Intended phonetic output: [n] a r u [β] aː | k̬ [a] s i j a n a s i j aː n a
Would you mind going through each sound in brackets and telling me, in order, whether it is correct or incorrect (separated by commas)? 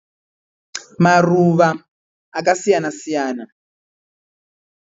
incorrect, correct, correct